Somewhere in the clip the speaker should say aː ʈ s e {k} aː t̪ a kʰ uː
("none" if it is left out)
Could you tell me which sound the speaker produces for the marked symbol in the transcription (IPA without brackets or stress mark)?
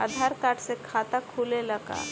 kʰ